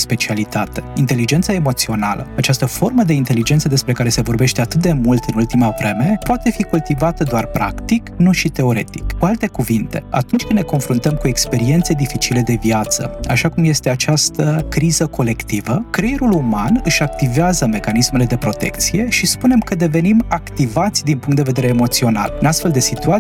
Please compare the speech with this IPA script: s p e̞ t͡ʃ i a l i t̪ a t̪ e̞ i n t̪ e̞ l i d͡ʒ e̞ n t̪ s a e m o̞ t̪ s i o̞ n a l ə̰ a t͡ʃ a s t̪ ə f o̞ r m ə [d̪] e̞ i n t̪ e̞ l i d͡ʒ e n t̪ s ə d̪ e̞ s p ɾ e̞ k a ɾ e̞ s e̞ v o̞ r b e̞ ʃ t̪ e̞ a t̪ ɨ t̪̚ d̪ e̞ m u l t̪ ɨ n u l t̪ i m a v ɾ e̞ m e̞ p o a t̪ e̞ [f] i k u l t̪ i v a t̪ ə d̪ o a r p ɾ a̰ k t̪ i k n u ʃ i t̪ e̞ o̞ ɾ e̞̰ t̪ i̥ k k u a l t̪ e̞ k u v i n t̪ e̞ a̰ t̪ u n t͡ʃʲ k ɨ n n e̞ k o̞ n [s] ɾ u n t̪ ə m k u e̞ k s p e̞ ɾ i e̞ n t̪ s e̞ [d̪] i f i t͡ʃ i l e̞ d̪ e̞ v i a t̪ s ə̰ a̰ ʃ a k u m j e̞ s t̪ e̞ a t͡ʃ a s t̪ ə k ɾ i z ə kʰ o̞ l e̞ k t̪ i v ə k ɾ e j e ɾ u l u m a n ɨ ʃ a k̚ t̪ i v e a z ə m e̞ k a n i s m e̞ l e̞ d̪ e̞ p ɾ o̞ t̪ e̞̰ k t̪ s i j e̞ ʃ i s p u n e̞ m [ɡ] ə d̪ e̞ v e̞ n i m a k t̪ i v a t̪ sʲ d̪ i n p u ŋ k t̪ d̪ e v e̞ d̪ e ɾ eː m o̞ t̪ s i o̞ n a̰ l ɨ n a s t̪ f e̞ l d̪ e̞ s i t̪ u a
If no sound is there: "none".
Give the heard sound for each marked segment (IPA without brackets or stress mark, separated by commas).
d̪, f, f, d̪, k